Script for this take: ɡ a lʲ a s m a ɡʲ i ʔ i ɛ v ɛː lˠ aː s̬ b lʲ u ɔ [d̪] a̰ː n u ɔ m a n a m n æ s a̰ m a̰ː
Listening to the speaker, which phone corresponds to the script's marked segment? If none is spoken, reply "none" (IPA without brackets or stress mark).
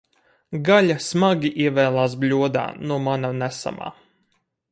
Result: d̪